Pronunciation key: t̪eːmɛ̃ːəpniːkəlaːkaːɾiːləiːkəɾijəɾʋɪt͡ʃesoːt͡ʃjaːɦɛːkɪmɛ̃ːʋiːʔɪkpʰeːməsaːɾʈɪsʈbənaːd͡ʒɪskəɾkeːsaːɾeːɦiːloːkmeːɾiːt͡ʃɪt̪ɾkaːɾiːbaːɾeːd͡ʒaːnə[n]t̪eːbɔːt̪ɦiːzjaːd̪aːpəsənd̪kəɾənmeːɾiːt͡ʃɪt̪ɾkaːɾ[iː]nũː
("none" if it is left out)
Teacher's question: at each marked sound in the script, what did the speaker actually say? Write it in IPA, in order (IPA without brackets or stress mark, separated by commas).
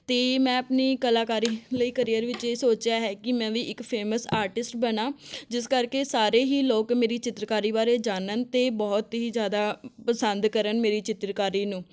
n, iː